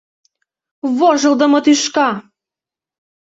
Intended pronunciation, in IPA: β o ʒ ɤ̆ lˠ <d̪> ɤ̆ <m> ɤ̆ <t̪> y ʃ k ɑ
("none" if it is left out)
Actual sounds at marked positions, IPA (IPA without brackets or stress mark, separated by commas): d̪, m, t̪